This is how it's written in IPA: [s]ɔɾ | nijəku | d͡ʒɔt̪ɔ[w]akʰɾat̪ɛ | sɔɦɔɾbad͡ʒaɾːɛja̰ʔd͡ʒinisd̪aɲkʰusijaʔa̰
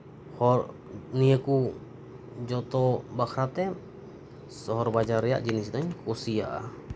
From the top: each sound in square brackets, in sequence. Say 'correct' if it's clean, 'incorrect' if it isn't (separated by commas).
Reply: incorrect, incorrect